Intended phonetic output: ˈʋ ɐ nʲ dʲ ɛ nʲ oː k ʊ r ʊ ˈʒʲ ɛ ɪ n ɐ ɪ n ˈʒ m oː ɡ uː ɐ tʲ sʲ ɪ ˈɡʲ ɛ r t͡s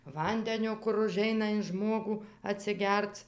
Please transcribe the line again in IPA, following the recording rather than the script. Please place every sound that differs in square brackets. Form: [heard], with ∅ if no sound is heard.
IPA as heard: ˈʋ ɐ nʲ dʲ ɛ nʲ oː k ʊ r ʊ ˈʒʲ ɛ ɪ n ɐ ɪ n ˈʒ m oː ɡ uː ɐ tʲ sʲ ɪ ˈɡʲ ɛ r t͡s